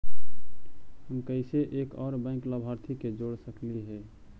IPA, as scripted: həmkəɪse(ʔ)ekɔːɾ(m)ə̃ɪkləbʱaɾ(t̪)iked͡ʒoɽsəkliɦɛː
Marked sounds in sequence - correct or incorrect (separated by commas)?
correct, incorrect, incorrect